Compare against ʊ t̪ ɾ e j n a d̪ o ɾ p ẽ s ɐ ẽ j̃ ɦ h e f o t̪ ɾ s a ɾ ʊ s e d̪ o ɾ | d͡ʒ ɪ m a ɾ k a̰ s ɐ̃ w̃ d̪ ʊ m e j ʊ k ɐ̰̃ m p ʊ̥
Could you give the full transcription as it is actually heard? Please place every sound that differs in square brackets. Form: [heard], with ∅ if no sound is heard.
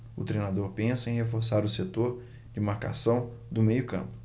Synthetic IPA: ʊ t̪ ɾ e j n a d̪ o ɾ p ẽ s ɐ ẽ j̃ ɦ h e f o [∅] ɾ s a ɾ ʊ s e [t̪] o ɾ | d͡ʒ ɪ m a ɾ k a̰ s ɐ̃ w̃ d̪ ʊ m e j ʊ k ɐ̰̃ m p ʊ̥

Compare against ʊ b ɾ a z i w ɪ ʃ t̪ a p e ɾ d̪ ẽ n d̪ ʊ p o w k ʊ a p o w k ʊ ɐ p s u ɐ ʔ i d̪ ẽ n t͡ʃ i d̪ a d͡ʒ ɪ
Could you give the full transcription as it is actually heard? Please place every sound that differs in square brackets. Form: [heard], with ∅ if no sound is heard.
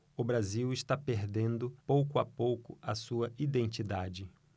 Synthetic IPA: ʊ b ɾ a z i w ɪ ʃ t̪ a p e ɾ d̪ ẽ n d̪ ʊ p o w k ʊ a p o w k ʊ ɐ [∅] s u ɐ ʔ i d̪ ẽ n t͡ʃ i d̪ a d͡ʒ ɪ

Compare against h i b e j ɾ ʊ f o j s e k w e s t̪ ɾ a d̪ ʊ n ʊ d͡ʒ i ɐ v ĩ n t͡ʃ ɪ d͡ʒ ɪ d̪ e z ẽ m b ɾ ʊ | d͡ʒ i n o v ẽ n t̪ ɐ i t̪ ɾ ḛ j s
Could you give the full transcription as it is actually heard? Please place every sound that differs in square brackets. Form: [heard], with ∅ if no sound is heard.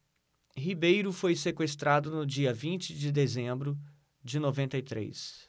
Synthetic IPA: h i b e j ɾ ʊ f o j s e k w e s t̪ ɾ a d̪ ʊ n ʊ d͡ʒ i ɐ v ĩ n t͡ʃ ɪ d͡ʒ ɪ d̪ e z ẽ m b ɾ ʊ | d͡ʒ [ɪ] n o v ẽ n t̪ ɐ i t̪ ɾ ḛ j s

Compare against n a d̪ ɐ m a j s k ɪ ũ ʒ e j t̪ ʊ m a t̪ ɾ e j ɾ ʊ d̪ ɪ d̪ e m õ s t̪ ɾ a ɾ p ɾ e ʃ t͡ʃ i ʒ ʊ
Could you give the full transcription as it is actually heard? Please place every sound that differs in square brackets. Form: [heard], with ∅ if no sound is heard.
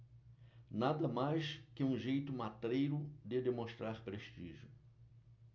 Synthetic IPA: n a d̪ ɐ m a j s k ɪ ũ ʒ e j t̪ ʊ m a t̪ ɾ e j ɾ ʊ d̪ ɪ d̪ e m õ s t̪ ɾ a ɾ p ɾ e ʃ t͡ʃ i ʒ ʊ

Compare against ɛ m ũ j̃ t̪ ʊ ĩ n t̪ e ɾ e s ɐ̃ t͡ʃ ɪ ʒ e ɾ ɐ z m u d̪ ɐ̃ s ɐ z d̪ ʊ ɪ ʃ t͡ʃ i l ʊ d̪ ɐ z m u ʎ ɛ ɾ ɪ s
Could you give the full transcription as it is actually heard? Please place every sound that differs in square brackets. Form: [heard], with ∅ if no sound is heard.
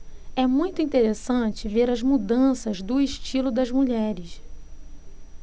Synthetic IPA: ɛ m ũ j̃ t̪ ʊ ĩ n t̪ e ɾ e s ɐ̃ t͡ʃ ɪ [v] e ɾ ɐ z m u d̪ ɐ̃ s ɐ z d̪ ʊ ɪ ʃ t͡ʃ i l ʊ d̪ ɐ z m u ʎ ɛ ɾ ɪ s

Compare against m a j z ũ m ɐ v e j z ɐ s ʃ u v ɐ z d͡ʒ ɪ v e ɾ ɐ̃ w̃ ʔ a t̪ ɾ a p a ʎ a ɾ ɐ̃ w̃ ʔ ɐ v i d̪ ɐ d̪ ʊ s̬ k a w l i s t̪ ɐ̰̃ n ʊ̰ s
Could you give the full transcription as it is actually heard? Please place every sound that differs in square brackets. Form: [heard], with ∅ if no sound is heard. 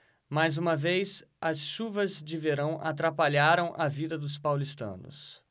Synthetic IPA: m a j z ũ m ɐ v e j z ɐ s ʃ u v ɐ z d͡ʒ ɪ v e ɾ ɐ̃ w̃ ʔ a t̪ ɾ a p a ʎ a ɾ ɐ̃ w̃ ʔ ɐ v i d̪ ɐ d̪ ʊ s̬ [p] a w l i s t̪ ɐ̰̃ n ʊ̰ s

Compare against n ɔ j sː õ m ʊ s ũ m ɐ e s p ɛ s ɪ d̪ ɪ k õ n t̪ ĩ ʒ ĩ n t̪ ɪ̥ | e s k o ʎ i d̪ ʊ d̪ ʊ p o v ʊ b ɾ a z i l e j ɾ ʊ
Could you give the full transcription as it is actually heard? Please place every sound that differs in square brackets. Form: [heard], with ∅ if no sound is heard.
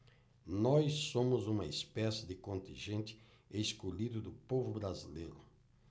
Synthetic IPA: n ɔ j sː õ m ʊ [z] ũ m ɐ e s p ɛ s ɪ d̪ ɪ k õ n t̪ ĩ ʒ [ẽ] n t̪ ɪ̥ | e s k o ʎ i d̪ ʊ d̪ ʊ p o v ʊ b ɾ a z i l e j ɾ ʊ

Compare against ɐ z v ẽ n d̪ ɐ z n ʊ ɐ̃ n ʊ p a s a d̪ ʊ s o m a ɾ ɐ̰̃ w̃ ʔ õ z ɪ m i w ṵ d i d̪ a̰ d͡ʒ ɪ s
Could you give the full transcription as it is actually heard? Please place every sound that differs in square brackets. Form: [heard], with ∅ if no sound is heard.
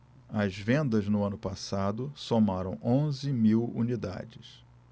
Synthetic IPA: ɐ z v ẽ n d̪ ɐ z n ʊ ɐ̃ n ʊ p a s a d̪ ʊ s o m a ɾ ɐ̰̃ w̃ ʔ õ z ɪ m i w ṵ [n] i d̪ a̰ d͡ʒ ɪ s

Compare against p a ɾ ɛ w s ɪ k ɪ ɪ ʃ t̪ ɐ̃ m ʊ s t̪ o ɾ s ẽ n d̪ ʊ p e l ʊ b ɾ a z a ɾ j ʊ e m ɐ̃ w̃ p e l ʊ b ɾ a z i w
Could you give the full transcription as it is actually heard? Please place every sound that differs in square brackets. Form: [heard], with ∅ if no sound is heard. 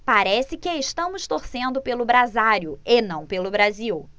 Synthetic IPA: p a ɾ ɛ [∅] s ɪ k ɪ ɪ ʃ t̪ ɐ̃ m ʊ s t̪ o ɾ s ẽ n d̪ ʊ p e l ʊ b ɾ a z a ɾ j ʊ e [n] ɐ̃ w̃ p e l ʊ b ɾ a z i w

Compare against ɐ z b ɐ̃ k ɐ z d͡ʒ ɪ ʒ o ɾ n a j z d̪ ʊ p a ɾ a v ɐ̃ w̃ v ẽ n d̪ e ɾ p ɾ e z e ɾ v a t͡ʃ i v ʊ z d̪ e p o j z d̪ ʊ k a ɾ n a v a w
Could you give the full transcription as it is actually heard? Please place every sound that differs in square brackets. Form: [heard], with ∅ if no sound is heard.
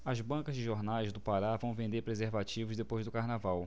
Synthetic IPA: ɐ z b ɐ̃ k ɐ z d͡ʒ ɪ ʒ o ɾ n a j z d̪ ʊ p a ɾ a v ɐ̃ w̃ v ẽ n d̪ e ɾ p ɾ e z e ɾ v a t͡ʃ i v ʊ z d̪ e p o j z d̪ ʊ k a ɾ n a v a w

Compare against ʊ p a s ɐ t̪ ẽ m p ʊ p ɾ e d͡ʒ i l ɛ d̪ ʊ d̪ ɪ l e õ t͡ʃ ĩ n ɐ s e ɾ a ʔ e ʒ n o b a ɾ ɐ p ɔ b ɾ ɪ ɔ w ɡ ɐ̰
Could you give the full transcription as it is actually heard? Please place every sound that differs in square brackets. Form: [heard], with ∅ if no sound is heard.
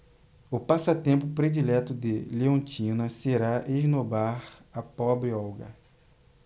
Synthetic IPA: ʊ p a s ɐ t̪ ẽ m p ʊ p ɾ e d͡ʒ i l ɛ [t̪] ʊ d̪ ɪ l e õ t͡ʃ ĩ n ɐ s e ɾ a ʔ e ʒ n o b a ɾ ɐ p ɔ b ɾ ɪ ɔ w ɡ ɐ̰

